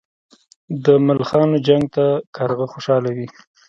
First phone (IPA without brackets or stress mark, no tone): d̪